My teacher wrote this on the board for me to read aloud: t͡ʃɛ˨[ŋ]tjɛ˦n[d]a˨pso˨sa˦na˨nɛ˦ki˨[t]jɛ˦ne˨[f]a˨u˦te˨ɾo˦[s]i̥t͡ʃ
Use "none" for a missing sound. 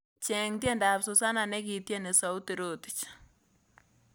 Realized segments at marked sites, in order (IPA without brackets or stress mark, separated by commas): ŋ, d, t, s, t